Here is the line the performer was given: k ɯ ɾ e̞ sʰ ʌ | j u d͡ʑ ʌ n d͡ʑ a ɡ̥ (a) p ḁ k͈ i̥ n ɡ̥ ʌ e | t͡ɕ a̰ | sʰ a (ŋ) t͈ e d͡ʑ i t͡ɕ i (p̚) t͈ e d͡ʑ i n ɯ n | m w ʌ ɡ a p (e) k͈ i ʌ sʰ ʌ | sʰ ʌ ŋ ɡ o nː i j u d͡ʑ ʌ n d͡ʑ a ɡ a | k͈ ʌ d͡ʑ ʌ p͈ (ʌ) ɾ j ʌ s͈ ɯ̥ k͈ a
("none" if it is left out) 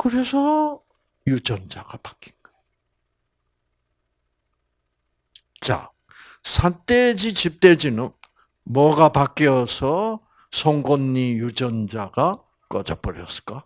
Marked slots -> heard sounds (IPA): a, n, p̚, a, ʌ

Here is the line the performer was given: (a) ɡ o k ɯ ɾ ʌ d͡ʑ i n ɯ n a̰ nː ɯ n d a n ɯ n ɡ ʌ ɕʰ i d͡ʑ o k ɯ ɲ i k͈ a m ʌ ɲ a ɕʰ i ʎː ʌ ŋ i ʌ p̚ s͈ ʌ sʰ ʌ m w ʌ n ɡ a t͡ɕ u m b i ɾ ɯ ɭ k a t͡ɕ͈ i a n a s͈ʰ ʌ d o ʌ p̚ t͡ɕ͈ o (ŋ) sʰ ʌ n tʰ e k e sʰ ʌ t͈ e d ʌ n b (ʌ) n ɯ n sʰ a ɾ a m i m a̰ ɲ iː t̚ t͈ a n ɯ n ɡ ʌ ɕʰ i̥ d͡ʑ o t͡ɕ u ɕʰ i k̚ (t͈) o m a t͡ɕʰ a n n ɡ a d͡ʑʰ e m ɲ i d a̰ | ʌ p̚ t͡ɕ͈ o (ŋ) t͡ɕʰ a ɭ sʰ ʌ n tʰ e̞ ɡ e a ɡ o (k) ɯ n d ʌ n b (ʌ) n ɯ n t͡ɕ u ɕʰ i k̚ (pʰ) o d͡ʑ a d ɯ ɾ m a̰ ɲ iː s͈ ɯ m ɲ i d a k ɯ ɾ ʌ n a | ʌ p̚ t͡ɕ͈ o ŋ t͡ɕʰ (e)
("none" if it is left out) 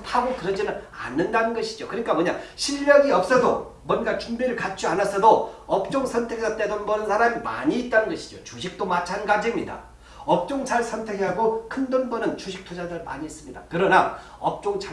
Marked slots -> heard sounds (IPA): a, ŋ, ʌ, t͈, ŋ, kʰ, ʌ, tʰ, a

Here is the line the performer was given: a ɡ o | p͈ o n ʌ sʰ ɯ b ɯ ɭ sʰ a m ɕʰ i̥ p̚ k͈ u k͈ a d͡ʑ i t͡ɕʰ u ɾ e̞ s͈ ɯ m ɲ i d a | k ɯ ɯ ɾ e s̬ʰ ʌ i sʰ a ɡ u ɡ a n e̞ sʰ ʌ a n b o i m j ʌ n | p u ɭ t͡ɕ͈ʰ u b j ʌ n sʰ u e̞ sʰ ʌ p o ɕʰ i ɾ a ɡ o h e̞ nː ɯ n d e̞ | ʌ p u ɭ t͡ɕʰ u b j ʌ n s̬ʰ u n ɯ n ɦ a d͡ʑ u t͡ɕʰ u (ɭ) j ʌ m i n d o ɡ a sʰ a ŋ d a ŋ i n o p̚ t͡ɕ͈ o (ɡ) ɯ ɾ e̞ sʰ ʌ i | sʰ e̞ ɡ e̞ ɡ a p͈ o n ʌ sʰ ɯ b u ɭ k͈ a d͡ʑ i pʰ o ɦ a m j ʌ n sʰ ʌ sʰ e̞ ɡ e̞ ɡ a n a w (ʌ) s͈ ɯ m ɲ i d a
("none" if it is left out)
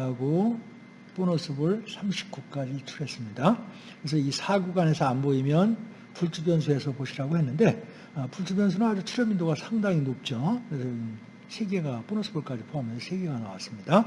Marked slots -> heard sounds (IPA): ɾ, k, a

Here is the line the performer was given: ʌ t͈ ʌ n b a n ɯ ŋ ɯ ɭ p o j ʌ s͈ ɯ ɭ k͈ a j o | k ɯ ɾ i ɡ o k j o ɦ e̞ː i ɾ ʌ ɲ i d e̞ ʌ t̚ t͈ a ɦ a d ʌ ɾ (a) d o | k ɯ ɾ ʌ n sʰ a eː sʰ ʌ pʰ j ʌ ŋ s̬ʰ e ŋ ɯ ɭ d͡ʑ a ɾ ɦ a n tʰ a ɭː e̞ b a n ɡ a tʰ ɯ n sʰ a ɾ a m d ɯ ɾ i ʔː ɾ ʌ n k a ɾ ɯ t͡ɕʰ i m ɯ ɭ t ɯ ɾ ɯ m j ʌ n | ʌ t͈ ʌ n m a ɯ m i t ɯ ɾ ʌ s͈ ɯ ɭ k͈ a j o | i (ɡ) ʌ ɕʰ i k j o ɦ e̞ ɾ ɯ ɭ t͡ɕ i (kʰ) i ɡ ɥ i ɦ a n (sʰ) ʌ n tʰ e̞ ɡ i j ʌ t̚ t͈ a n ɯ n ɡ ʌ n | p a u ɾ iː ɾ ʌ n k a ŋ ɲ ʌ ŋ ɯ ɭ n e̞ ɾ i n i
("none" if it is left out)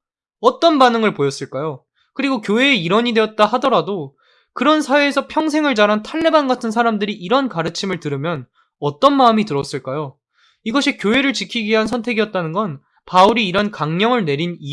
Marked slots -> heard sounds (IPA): a, ɡ, kʰ, sʰ

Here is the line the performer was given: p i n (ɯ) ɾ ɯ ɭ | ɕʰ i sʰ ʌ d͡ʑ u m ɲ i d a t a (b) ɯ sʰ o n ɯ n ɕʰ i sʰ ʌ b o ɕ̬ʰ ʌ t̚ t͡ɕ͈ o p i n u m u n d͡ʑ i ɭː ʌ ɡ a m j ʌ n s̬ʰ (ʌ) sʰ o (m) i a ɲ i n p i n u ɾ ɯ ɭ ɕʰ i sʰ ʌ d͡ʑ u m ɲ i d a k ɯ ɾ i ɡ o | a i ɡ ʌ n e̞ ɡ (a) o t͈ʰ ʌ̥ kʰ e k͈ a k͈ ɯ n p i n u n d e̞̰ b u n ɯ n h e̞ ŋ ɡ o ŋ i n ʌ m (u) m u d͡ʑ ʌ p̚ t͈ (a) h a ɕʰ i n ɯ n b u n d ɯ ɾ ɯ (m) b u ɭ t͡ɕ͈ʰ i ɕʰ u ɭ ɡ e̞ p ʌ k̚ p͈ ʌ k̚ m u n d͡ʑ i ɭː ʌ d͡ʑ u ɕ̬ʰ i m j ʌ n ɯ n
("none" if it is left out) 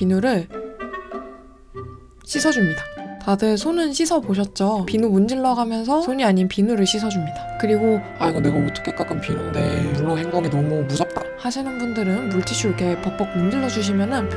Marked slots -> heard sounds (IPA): u, d, ʌ, ɲ, a, u, a, n

